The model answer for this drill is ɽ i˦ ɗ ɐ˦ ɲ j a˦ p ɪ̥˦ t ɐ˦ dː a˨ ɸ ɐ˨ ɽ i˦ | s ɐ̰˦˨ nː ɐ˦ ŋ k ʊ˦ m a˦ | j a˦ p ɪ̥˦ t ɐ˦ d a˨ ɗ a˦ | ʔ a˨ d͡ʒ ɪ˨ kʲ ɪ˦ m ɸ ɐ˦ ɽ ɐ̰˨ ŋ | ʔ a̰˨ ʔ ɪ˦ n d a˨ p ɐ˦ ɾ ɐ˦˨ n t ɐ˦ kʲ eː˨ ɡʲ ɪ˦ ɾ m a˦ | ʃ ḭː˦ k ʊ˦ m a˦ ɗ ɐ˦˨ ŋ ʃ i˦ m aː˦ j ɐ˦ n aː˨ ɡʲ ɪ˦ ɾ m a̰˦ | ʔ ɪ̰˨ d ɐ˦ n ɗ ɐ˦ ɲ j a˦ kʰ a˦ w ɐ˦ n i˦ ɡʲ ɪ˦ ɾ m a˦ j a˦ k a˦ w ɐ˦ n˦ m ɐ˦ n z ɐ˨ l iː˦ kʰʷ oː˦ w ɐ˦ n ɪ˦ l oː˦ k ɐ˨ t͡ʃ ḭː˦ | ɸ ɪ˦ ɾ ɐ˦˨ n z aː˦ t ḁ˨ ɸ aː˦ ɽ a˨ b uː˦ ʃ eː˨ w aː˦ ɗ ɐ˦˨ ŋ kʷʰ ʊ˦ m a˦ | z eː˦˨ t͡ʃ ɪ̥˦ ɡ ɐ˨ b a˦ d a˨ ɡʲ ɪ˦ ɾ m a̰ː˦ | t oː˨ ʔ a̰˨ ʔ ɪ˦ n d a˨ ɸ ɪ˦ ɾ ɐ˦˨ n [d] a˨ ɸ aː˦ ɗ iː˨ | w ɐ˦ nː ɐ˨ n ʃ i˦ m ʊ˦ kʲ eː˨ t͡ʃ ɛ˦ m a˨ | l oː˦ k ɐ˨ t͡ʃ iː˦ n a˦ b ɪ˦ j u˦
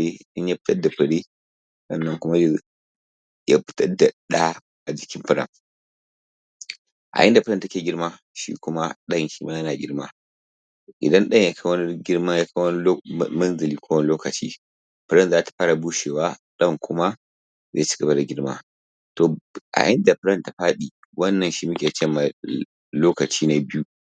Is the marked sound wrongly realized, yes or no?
yes